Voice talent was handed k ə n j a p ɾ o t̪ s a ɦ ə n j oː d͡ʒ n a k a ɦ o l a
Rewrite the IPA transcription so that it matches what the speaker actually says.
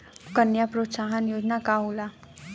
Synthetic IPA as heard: k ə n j a p ɾ o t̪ s a ɦ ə n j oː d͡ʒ n a k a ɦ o l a